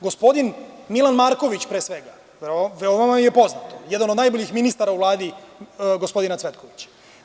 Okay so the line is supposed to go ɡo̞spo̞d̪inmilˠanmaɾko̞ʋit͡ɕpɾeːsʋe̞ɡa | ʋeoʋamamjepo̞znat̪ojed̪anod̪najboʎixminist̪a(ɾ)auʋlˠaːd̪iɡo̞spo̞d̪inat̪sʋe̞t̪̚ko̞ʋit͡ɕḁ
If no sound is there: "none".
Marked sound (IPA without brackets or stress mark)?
ɾ